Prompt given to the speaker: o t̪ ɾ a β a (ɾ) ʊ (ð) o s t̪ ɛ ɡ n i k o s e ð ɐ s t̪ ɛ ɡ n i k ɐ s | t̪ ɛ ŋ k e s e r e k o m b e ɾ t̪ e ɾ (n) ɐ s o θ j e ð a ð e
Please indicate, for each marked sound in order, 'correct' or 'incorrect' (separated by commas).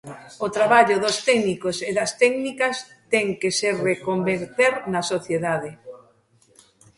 incorrect, correct, correct